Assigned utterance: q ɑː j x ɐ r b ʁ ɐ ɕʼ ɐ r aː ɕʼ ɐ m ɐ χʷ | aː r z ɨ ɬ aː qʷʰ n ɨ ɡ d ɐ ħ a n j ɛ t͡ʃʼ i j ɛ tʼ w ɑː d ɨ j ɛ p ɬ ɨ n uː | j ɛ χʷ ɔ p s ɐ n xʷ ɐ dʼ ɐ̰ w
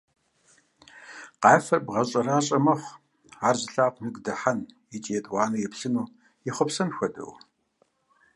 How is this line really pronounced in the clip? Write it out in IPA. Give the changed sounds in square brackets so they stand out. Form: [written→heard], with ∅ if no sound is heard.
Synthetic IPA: q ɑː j [x→f] ɐ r b ʁ ɐ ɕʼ ɐ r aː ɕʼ ɐ m ɐ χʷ | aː r z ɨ ɬ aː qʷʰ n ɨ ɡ d ɐ ħ a n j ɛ t͡ʃʼ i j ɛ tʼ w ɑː [d→n] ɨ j ɛ p ɬ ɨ n uː | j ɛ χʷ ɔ p s ɐ n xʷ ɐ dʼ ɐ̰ w